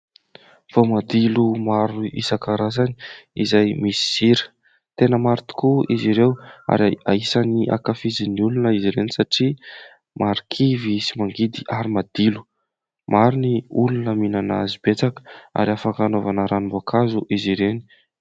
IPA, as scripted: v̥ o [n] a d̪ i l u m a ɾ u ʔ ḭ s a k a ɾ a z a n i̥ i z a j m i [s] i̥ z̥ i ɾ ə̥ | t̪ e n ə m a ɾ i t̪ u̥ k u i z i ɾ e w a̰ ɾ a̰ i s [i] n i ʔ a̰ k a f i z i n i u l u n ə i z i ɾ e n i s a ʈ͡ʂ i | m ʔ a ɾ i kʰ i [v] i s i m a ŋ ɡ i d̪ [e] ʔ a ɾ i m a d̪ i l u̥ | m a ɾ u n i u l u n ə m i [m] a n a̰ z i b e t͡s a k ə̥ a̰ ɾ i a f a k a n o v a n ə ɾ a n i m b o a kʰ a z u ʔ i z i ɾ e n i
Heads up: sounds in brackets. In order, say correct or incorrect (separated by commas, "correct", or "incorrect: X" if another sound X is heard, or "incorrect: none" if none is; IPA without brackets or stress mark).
incorrect: m, correct, incorrect: a, correct, incorrect: i, incorrect: n